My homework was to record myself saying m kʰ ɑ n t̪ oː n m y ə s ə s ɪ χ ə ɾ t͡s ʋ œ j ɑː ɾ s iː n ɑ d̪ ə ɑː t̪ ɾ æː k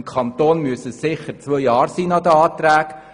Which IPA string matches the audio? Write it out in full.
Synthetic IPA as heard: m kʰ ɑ n t̪ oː n m y ə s ə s ɪ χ ə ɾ t͡s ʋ œ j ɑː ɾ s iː n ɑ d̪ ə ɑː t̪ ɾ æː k